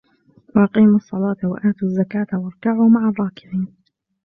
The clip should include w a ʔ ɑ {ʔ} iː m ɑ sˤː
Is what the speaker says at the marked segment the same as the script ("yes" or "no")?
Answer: no